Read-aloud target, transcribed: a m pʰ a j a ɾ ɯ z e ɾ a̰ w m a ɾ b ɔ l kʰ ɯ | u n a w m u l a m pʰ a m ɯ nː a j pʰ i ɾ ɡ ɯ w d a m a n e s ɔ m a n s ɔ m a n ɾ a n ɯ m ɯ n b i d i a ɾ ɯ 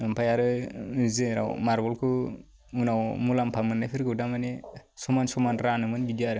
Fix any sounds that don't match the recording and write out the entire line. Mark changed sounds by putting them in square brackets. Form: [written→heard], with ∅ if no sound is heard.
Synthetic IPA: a m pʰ a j a ɾ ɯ z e ɾ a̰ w m a ɾ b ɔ l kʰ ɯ | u n a w m u l a m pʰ a m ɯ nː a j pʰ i ɾ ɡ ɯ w d a m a n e s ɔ m a n s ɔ m a n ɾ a n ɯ m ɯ n b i d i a ɾ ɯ